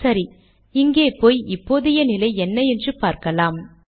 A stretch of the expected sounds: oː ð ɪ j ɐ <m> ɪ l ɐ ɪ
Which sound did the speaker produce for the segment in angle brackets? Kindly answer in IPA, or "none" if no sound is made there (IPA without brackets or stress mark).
n